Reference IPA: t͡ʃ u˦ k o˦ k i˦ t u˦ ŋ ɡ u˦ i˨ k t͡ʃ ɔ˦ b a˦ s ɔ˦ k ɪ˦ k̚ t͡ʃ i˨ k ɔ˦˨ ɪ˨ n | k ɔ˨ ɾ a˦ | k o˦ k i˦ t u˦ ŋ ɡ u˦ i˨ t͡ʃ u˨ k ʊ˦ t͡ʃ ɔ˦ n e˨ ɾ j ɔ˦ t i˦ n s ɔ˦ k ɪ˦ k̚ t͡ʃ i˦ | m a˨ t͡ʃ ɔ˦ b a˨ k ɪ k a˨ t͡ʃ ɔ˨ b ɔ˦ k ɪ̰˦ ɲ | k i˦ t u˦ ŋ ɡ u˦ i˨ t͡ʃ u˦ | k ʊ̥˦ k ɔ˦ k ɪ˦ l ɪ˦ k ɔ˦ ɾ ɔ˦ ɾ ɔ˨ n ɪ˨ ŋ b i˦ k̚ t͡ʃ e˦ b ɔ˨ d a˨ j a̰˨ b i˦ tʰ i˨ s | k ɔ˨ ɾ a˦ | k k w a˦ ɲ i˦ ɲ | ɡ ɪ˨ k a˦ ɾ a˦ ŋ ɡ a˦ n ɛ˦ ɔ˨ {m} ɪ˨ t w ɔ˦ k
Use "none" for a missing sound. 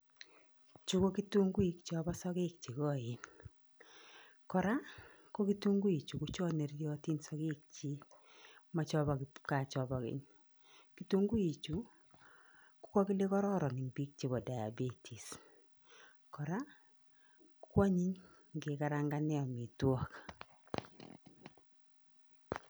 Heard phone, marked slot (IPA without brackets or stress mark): m